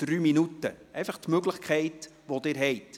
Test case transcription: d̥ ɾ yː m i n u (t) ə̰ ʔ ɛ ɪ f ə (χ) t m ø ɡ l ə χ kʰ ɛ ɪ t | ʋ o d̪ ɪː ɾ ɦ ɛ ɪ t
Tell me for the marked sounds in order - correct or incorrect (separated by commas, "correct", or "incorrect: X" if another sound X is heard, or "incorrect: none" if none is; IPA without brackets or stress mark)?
correct, correct